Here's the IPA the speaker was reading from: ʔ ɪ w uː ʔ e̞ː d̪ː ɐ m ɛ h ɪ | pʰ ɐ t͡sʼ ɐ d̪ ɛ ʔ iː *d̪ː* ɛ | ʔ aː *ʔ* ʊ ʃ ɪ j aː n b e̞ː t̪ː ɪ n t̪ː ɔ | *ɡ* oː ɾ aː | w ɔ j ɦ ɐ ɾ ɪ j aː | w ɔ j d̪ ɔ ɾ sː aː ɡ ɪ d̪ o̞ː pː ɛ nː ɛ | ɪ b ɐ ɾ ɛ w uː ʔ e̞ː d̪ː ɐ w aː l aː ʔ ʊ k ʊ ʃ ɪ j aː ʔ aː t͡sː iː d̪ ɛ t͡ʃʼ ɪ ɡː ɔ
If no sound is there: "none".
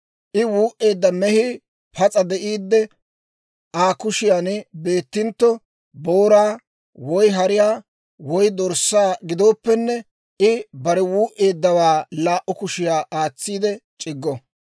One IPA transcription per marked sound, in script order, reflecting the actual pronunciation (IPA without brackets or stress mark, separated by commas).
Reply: d̪ː, k, b